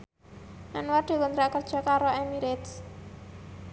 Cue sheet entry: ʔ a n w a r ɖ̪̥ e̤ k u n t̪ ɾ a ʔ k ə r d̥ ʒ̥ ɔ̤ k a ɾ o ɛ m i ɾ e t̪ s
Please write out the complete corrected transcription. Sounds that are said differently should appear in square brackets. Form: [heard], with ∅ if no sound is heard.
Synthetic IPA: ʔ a n w a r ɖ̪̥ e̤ k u n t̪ ɾ a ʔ k ə r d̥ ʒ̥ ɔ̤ k a ɾ o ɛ m i ɾ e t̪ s